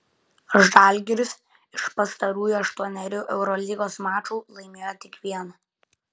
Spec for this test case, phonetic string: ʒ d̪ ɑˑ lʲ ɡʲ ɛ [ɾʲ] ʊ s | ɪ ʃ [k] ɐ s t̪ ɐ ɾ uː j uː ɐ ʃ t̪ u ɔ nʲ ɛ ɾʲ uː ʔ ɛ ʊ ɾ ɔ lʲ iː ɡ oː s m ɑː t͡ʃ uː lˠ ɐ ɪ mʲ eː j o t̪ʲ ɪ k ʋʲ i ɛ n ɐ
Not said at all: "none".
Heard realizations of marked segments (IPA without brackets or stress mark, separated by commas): ɾʲ, p